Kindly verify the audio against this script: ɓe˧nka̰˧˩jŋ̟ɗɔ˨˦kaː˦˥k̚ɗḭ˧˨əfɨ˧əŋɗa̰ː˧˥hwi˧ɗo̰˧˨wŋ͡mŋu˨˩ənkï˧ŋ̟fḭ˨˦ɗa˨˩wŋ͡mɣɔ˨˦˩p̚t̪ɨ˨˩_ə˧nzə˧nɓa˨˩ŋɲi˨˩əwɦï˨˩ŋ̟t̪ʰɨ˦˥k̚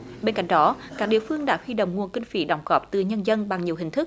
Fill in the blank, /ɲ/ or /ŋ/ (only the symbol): ɲ